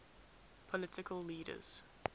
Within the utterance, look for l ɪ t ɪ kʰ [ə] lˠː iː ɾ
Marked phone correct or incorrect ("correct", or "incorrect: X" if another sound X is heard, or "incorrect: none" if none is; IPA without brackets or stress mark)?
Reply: correct